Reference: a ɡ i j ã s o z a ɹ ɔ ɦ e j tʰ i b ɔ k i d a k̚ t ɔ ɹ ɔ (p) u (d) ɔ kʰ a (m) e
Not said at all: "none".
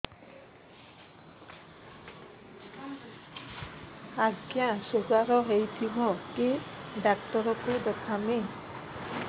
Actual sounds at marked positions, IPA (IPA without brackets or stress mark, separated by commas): k, d, m